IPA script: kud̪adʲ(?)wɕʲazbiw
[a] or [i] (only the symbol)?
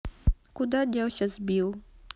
a